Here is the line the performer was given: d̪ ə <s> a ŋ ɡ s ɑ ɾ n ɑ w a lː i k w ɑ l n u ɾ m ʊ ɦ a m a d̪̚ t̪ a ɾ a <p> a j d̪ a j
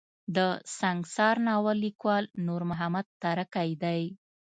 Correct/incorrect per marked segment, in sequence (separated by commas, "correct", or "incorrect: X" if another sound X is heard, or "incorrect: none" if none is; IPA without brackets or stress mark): correct, incorrect: k